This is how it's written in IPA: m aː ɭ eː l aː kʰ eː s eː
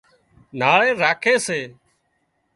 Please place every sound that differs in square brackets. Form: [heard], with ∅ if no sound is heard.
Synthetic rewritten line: [n] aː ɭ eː [ɾ] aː kʰ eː s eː